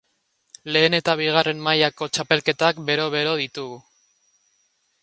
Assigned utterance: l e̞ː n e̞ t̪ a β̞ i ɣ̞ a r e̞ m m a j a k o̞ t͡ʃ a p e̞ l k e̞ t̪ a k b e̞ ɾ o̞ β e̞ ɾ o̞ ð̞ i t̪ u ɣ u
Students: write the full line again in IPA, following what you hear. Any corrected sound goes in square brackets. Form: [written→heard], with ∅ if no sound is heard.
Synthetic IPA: l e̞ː n e̞ t̪ a β̞ i ɣ̞ a r e̞ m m a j a k o̞ t͡ʃ a p e̞ l k e̞ t̪ a k b e̞ ɾ o̞ β e̞ ɾ o̞ ð̞ i t̪ u ɣ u